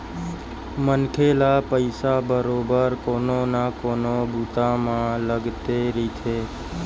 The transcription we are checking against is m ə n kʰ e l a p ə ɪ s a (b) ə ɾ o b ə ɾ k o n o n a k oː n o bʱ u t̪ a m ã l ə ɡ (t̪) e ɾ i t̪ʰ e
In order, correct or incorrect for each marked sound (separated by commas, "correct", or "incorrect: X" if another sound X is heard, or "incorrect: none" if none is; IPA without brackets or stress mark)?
correct, correct